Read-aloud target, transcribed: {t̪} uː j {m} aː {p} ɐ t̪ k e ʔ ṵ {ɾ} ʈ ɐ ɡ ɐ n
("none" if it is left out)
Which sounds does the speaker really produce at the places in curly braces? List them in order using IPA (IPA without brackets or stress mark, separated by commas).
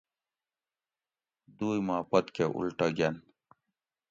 d̪, m, p, l